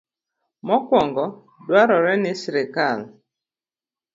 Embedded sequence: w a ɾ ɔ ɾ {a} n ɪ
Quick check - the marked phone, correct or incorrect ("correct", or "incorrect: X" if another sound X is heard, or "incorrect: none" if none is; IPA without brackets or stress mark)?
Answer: incorrect: ɛ